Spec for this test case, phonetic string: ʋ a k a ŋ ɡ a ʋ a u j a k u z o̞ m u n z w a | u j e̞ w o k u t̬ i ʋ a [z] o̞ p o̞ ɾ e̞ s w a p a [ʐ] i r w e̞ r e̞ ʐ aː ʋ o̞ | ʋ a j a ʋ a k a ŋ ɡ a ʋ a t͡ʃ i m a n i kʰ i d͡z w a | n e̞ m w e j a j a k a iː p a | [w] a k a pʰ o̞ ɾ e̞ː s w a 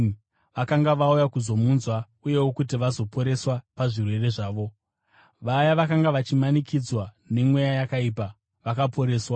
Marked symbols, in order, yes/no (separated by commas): yes, yes, no